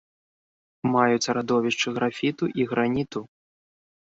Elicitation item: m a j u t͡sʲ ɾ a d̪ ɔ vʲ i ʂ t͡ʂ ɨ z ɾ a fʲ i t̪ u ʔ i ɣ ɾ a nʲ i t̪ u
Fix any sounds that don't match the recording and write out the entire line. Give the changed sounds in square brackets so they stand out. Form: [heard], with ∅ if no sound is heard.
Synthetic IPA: m a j u t͡sʲ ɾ a d̪ ɔ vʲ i ʂ t͡ʂ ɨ [ɣ] ɾ a fʲ i t̪ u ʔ i ɣ ɾ a nʲ i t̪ u